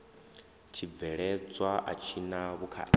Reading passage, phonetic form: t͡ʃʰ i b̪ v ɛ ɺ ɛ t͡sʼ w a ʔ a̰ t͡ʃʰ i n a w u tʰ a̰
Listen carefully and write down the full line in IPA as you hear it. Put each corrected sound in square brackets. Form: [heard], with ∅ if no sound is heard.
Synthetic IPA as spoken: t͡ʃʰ i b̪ v ɛ ɺ ɛ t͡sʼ w a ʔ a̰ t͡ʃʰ i n a [β] u [kʰ] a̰